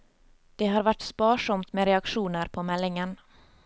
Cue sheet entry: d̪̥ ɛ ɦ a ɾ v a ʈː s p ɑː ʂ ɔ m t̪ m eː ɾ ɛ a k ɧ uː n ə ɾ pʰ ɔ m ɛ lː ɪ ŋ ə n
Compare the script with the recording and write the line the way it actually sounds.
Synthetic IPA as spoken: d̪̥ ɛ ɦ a ɾ v a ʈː s p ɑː ʂ ɔ m t̪ m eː ɾ ɛ a k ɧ uː n ə ɾ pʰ ɔ m ɛ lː ɪ ŋ ə n